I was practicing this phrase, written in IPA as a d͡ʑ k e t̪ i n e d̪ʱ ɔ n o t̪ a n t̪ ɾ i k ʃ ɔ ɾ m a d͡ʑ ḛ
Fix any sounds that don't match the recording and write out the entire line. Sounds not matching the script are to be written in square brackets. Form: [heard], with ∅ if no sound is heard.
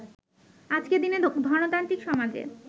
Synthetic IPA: a d͡ʑ k e [d̪] i n e d̪ʱ ɔ n o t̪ a n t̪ ɾ i k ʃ ɔ [∅] m a d͡ʑ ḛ